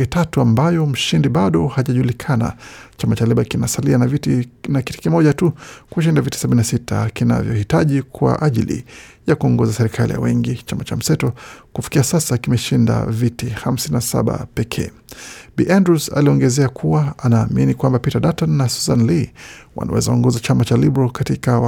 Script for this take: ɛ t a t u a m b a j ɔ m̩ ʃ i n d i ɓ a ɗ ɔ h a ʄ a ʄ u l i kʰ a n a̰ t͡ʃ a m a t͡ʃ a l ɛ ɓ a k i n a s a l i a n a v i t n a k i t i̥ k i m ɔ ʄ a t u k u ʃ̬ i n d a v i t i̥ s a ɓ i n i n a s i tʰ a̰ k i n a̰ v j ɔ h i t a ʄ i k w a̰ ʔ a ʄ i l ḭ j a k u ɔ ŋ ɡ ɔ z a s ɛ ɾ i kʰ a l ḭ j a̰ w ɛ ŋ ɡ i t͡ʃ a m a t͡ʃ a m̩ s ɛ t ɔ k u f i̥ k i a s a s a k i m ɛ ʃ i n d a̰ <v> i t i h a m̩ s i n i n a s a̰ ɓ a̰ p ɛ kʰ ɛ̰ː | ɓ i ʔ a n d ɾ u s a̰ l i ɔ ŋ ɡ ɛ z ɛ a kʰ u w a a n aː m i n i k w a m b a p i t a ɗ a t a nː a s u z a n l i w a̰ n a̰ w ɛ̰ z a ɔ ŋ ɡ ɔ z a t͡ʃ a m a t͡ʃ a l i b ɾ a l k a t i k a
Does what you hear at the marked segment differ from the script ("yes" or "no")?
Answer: no